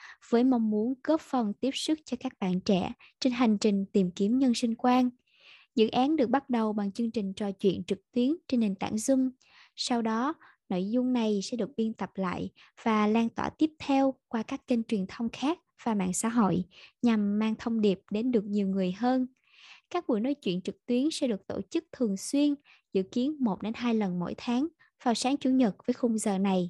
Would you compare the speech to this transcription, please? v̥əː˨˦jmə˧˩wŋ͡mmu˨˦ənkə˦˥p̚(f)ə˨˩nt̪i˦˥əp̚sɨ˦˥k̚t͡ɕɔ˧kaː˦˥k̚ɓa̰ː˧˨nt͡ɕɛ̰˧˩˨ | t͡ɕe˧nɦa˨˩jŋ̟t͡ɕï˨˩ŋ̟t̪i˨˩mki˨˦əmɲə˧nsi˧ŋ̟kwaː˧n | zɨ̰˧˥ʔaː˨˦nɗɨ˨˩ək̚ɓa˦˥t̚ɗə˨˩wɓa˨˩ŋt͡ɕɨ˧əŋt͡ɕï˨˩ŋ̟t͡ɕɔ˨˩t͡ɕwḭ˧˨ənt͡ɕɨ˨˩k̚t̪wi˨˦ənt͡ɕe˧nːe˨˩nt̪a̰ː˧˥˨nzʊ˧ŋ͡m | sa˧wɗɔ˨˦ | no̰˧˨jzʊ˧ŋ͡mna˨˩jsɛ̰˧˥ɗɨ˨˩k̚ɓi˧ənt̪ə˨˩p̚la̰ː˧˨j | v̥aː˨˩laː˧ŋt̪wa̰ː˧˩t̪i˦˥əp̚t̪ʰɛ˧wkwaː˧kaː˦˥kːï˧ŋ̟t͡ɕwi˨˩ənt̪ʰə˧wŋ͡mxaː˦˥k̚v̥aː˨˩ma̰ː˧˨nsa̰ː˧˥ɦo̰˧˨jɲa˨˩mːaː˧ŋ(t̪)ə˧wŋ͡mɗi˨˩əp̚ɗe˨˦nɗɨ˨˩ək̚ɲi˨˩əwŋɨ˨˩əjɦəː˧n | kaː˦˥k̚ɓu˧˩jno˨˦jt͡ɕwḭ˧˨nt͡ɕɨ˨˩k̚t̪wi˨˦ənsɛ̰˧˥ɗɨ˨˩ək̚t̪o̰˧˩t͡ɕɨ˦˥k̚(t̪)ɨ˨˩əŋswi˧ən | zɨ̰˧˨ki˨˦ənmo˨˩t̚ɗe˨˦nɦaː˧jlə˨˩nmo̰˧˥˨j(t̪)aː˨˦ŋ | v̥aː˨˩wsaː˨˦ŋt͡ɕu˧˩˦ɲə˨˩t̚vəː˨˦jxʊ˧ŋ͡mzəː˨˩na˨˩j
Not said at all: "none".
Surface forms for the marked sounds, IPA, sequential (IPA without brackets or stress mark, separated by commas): f, t̪ʰ, t̪ʰ, t̪ʰ